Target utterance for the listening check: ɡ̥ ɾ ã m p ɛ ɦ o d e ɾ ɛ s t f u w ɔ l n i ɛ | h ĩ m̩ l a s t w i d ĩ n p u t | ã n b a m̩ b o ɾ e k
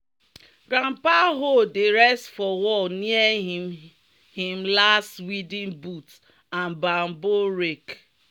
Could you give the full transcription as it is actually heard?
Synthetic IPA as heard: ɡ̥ ɾ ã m p a ɦ o d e ɾ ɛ s t f ɔ w ɔ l n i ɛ | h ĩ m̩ l a s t w i d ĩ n b u t | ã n b a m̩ b o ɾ e k